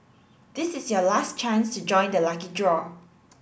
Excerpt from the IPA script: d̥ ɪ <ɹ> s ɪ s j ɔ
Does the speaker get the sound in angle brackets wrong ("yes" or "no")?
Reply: yes